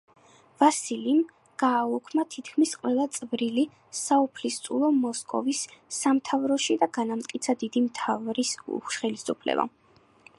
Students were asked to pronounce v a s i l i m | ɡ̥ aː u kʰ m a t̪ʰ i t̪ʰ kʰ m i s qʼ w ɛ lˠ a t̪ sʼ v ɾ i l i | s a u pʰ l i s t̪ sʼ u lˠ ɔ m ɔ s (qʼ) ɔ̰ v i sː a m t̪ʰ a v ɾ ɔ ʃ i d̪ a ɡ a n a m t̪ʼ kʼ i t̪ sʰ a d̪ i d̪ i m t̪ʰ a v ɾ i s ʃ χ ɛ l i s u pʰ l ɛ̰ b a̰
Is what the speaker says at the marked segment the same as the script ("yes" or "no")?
no